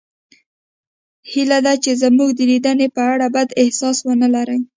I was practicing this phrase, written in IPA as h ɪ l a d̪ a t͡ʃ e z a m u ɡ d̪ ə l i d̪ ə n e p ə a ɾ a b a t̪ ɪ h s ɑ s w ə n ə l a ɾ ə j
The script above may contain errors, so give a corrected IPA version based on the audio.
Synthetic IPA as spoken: h i l a d̪ a t͡ʃ e z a m u ɡ d̪ ə l i d̪ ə n e p ə a ɽ a b a d̪ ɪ h s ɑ s w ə n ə l a ɾ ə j